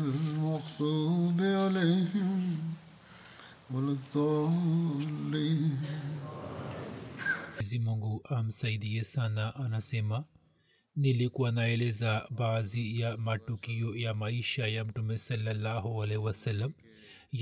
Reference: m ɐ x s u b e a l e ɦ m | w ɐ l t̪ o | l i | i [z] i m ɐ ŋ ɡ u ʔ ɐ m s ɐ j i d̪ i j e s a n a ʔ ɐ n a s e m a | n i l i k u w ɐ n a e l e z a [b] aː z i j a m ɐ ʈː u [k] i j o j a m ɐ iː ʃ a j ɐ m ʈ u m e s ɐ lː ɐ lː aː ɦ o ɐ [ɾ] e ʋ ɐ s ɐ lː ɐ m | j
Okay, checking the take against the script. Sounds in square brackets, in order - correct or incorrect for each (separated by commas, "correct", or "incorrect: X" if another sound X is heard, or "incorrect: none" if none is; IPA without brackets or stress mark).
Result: correct, correct, correct, incorrect: l